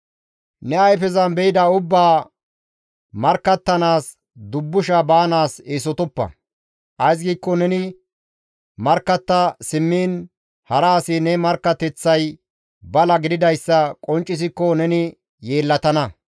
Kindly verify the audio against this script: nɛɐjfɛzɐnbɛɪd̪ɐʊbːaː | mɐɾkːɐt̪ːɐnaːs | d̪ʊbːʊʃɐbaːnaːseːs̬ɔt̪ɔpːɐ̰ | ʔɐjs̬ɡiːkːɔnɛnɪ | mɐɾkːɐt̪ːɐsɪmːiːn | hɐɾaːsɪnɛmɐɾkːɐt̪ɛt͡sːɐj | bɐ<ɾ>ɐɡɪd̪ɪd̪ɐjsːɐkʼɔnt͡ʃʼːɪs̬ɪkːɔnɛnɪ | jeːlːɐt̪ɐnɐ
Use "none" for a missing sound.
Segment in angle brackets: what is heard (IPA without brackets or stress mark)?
l